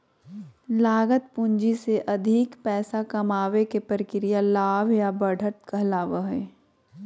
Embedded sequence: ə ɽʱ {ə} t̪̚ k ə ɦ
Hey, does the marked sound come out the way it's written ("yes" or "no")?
yes